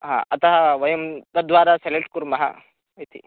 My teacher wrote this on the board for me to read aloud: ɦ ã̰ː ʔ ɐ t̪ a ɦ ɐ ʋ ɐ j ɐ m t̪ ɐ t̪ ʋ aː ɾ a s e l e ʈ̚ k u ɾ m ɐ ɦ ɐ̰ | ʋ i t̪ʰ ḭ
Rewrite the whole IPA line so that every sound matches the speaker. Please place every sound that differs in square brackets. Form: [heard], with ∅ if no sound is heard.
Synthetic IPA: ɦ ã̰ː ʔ ɐ t̪ [ɐ] ɦ ɐ ʋ ɐ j ɐ m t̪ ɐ [d̪] ʋ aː ɾ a s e l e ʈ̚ k u ɾ m ɐ ɦ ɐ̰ | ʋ i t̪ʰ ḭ

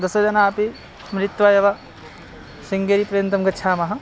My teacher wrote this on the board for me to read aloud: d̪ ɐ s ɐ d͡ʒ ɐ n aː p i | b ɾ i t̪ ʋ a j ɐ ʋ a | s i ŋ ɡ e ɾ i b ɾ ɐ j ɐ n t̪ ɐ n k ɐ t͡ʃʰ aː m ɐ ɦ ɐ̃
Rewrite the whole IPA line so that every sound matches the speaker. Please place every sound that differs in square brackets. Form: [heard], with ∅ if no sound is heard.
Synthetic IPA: d̪ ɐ s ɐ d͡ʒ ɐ n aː p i | [m] ɾ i t̪ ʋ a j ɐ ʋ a | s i ŋ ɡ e ɾ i [p] ɾ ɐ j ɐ n t̪ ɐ [m] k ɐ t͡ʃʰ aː m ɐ ɦ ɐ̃

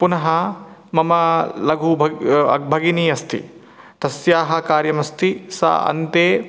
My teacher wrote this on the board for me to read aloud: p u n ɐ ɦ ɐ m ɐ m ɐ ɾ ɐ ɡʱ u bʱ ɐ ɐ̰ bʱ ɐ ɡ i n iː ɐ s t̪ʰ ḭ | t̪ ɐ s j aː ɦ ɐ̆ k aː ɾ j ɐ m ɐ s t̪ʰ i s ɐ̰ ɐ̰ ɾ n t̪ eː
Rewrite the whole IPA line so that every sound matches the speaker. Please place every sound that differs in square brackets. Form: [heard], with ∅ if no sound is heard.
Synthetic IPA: p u n ɐ ɦ ɐ m ɐ m ɐ [l] ɐ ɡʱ u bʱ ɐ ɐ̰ bʱ ɐ ɡ i n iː ɐ s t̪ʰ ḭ | t̪ ɐ s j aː ɦ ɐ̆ k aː ɾ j ɐ m ɐ s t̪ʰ i s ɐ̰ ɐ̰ [∅] n t̪ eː

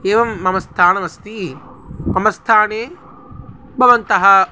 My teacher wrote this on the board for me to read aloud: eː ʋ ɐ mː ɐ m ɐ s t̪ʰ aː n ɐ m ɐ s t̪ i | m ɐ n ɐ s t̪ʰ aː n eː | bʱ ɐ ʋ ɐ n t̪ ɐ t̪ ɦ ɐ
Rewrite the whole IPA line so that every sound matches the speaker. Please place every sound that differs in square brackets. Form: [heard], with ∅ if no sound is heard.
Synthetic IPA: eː ʋ ɐ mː ɐ m ɐ s t̪ʰ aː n ɐ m ɐ s t̪ i | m ɐ [m] ɐ s t̪ʰ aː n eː | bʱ ɐ ʋ ɐ n t̪ ɐ [∅] ɦ ɐ

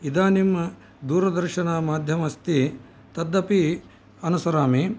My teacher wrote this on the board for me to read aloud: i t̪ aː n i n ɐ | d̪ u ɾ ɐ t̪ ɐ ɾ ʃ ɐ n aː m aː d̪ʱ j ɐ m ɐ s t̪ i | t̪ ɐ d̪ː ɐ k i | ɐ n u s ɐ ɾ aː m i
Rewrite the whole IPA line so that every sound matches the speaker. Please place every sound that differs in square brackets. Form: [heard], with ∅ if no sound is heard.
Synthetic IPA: i [d̪] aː n i [m] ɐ | d̪ [uː] ɾ ɐ [d̪] ɐ ɾ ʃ ɐ n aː m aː d̪ʱ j ɐ m ɐ s t̪ i | t̪ ɐ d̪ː ɐ [p] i | ɐ n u s ɐ ɾ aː m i

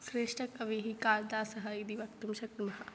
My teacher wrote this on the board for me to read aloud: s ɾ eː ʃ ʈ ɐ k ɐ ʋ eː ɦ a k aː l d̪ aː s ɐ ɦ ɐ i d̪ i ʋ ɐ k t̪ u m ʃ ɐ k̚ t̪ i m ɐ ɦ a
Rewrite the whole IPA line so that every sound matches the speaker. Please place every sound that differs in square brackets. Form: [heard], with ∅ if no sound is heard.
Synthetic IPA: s ɾ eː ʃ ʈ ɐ k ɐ ʋ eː ɦ [i] k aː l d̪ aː s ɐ ɦ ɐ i d̪ i ʋ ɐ k t̪ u m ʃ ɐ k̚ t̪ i m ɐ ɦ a

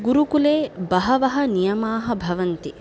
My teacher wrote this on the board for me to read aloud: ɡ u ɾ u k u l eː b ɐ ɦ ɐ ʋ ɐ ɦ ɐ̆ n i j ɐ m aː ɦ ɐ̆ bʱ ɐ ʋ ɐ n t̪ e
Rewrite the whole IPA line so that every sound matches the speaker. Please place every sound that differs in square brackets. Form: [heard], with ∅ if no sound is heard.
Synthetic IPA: ɡ u ɾ u k u l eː b ɐ ɦ ɐ ʋ ɐ ɦ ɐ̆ n i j ɐ m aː ɦ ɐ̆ bʱ ɐ ʋ ɐ n t̪ [i]

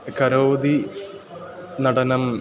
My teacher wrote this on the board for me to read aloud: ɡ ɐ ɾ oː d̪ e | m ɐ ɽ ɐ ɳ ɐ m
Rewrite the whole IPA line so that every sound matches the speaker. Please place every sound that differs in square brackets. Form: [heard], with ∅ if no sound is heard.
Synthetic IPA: [k] ɐ ɾ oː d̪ [i] | [n] ɐ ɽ ɐ [n] ɐ m

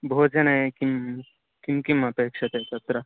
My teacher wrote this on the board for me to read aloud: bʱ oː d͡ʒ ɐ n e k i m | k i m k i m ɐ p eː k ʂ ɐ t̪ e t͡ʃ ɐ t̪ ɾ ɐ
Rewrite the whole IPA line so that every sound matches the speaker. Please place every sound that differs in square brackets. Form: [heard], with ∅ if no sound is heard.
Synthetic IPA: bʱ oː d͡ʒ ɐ n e k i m | k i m k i m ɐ p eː k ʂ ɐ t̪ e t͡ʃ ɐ t̪ ɾ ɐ

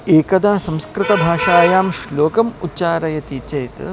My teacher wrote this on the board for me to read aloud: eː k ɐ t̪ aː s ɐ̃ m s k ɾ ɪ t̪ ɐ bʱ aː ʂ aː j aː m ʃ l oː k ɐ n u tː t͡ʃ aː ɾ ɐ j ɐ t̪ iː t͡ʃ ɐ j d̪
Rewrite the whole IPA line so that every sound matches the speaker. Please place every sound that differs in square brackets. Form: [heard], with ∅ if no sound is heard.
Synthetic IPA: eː k ɐ [d̪] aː s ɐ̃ m s k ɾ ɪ t̪ ɐ bʱ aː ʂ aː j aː m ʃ l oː k ɐ [m] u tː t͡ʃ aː ɾ ɐ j ɐ t̪ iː t͡ʃ ɐ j [t̪]

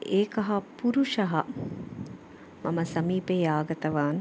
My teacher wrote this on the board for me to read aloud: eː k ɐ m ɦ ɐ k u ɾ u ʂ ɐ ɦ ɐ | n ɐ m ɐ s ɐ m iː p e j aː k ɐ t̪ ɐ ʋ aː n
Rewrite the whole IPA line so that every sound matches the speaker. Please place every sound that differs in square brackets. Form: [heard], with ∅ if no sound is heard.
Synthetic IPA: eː k ɐ [∅] ɦ ɐ [p] u ɾ u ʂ ɐ ɦ ɐ | [m] ɐ m ɐ s ɐ m iː p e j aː [ɡ] ɐ t̪ ɐ ʋ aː n

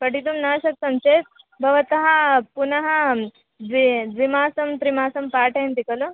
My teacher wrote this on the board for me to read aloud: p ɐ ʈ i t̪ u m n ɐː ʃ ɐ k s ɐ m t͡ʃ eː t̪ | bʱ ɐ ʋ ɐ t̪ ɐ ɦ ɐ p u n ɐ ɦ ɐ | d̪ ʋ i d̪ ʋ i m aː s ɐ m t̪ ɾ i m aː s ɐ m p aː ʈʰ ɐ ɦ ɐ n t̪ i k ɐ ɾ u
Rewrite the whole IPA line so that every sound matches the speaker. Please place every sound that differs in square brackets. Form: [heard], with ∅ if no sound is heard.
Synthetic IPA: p ɐ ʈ i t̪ u m n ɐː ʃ ɐ k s ɐ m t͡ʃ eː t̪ | bʱ ɐ ʋ ɐ t̪ ɐ ɦ ɐ p u n ɐ ɦ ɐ | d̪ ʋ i d̪ ʋ i m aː s ɐ m t̪ ɾ i m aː s ɐ m p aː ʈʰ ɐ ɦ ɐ n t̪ i k ɐ [l] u

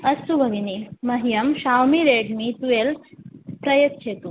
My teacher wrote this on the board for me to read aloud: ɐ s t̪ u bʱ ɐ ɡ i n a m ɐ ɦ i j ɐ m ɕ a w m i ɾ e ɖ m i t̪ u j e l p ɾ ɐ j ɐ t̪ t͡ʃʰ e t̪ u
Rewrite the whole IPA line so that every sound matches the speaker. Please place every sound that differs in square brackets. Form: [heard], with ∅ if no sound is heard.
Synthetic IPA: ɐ s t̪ u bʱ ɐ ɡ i n [i] m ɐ ɦ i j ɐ m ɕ a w m i ɾ e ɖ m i t̪ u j e l p ɾ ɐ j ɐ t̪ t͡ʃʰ e t̪ u

